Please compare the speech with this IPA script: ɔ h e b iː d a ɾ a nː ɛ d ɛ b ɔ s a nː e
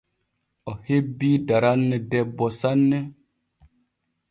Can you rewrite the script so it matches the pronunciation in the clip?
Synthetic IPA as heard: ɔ h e b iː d a ɾ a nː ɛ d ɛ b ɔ s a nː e